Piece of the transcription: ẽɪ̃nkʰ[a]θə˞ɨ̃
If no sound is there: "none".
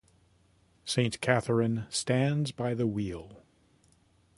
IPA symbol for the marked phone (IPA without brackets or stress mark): æ